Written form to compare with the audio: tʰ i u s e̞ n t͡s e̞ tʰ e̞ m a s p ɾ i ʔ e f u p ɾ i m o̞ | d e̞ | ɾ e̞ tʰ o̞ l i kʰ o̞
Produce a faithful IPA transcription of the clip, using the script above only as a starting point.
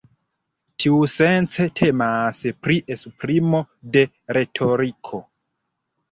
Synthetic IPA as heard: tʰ i u s e̞ n t͡s e̞ tʰ e̞ m a s p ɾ i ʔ e s u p ɾ i m o̞ | d e̞ | ɾ e̞ tʰ o̞ ɾ i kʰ o̞